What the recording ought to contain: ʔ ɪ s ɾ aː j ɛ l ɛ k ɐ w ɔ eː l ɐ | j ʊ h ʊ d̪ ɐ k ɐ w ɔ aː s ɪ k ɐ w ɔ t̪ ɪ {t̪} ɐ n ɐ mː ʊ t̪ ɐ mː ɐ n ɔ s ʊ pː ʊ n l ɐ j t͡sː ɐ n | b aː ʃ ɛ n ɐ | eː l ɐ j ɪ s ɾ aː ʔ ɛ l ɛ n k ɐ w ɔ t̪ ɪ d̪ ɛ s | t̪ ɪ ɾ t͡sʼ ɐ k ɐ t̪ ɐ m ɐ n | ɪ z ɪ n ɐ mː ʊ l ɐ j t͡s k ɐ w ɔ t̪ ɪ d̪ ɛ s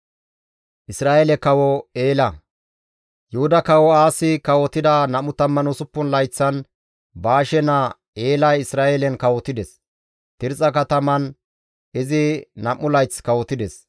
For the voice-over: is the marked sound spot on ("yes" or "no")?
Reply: no